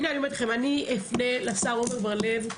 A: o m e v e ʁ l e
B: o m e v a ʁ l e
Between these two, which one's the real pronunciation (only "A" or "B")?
B